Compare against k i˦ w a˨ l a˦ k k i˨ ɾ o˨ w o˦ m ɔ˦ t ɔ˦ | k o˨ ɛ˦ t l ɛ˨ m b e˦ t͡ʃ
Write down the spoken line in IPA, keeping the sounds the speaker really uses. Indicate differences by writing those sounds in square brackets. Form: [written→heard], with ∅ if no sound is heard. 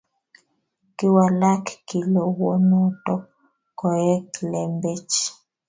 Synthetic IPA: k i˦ w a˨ l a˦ k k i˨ [ɾ→l] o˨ w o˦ [m→n] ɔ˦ t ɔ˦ | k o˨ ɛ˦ [t→k] l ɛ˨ m b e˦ t͡ʃ